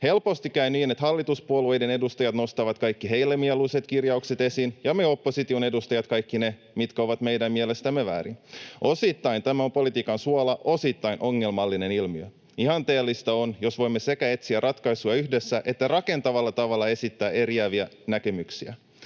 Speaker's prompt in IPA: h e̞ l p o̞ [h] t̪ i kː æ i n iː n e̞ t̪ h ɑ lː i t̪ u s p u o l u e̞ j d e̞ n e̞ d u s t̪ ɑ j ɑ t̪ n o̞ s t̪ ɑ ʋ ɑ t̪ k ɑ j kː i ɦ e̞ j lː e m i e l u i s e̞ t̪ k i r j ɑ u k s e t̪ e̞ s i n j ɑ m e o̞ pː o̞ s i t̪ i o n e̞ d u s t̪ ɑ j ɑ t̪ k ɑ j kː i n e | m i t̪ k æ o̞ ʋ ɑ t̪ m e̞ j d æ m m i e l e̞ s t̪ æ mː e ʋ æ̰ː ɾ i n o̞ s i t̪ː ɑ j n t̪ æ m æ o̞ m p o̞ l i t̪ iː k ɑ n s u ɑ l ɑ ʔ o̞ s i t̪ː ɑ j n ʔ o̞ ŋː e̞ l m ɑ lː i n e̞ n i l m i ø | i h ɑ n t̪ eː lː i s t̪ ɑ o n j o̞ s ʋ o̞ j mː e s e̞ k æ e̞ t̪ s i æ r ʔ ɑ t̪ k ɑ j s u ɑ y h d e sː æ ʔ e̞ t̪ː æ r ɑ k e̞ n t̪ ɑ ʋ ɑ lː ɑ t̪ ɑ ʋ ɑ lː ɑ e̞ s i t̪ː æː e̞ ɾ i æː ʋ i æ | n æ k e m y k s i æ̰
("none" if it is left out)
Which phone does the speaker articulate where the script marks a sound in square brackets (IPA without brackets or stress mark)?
s